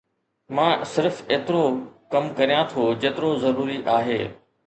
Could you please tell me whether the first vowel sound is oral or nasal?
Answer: nasal